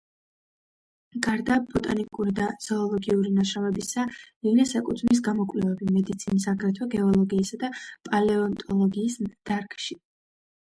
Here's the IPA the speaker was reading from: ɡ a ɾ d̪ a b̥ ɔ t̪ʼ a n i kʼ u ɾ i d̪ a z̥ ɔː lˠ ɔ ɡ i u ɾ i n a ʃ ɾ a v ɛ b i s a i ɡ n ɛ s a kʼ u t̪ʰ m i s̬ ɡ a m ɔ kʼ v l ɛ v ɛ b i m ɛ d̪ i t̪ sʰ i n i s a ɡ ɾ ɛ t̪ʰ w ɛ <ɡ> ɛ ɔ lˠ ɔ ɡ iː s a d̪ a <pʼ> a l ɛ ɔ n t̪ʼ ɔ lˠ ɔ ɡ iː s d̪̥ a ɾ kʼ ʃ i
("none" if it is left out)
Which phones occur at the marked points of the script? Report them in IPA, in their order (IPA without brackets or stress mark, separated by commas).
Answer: ɡ, pʼ